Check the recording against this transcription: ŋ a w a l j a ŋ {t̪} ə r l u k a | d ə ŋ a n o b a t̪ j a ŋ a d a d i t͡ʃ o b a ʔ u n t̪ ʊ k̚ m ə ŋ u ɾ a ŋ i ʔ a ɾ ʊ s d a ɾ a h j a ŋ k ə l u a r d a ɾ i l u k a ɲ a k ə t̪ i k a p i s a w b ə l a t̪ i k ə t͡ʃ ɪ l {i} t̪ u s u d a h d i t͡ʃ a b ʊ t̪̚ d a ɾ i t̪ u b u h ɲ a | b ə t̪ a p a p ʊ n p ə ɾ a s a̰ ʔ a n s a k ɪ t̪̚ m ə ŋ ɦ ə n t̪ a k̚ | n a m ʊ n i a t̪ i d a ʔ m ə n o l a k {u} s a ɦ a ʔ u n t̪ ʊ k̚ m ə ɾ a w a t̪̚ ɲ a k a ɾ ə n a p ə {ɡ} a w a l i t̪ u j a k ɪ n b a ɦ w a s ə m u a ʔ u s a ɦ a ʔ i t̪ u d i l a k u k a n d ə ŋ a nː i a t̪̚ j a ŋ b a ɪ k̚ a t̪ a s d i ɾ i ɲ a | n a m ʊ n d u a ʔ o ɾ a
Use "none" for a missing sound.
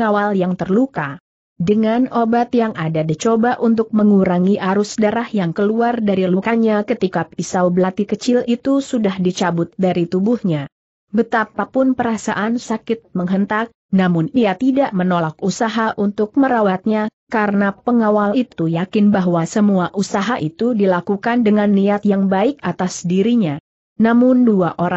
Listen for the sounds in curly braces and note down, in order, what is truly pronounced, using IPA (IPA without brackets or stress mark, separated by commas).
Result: t̪, i, u, ŋ